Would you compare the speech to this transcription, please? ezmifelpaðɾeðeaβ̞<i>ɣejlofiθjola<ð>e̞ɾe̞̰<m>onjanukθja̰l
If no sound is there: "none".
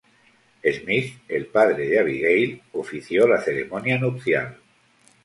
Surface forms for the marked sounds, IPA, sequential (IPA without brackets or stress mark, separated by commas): i, θ, m